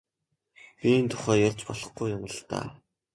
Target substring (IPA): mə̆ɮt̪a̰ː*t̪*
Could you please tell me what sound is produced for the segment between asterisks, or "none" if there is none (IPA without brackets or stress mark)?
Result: none